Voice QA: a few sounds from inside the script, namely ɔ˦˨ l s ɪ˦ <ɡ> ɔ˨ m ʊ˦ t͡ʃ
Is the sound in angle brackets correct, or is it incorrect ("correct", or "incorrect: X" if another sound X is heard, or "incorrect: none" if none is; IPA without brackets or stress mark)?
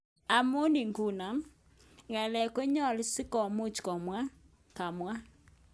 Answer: incorrect: k